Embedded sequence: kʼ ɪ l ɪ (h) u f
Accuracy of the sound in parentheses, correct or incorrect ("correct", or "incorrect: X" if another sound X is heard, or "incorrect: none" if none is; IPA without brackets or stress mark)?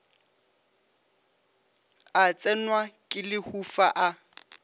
correct